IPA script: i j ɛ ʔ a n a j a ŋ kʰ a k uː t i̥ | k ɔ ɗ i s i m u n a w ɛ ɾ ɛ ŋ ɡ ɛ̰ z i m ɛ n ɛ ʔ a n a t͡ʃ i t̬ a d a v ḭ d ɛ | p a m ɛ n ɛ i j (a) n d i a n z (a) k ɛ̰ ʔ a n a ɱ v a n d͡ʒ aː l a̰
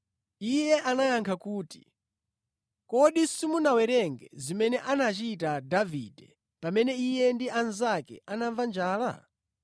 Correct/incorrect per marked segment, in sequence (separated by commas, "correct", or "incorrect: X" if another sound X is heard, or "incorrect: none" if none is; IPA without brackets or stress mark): incorrect: ɛ, correct